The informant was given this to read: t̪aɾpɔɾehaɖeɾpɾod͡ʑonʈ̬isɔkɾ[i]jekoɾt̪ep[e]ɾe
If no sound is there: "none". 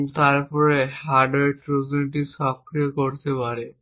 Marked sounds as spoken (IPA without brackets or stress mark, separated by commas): i, a